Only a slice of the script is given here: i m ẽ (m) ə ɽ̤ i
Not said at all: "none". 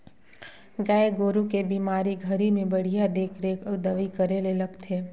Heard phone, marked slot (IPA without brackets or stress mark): b